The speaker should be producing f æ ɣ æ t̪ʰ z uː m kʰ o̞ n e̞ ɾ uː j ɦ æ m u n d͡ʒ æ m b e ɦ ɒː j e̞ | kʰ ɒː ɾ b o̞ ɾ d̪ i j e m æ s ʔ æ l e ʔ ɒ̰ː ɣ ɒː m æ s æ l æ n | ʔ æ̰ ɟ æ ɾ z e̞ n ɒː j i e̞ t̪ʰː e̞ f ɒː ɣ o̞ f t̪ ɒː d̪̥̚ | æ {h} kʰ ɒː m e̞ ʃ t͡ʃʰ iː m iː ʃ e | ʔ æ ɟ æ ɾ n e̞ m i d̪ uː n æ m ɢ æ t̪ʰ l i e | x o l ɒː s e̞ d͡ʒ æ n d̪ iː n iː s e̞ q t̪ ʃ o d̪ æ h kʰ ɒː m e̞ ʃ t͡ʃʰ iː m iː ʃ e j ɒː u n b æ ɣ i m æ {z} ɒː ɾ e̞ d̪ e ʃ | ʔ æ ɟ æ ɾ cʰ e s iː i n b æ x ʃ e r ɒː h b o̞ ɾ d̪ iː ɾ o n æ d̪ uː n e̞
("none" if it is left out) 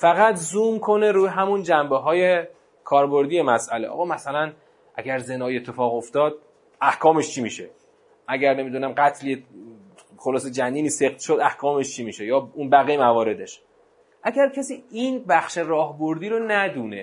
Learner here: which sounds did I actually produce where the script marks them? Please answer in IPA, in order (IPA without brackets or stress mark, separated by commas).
h, v